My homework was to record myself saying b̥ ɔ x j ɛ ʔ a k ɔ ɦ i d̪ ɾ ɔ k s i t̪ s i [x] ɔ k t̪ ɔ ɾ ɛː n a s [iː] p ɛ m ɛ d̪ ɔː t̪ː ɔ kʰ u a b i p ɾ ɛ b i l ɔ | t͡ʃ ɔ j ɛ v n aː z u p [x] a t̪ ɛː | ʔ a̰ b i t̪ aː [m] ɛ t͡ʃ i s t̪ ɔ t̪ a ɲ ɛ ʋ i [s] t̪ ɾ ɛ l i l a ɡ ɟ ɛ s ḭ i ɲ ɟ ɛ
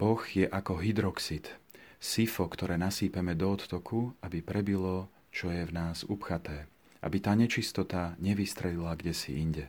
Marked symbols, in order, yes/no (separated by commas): no, yes, yes, no, yes